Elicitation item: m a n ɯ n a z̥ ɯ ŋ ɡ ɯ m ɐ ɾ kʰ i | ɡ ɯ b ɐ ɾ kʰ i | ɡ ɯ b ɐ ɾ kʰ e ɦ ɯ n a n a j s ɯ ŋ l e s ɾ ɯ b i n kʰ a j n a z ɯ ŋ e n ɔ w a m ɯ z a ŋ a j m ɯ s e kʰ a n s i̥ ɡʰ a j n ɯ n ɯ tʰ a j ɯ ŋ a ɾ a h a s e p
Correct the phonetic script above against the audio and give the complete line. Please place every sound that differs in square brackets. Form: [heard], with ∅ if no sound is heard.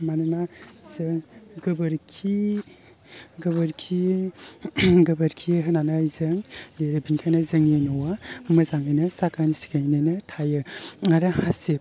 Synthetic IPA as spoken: m a n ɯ n a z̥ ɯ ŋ ɡ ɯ [b] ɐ ɾ kʰ i | ɡ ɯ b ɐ ɾ kʰ i | ɡ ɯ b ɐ ɾ kʰ [i] ɦ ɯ n a n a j [z] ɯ ŋ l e [∅] ɾ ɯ b i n kʰ a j n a z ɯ ŋ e n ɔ w a m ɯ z a ŋ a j [n] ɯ s [a] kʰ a n s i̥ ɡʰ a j n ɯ n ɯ tʰ a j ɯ ŋ a ɾ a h a s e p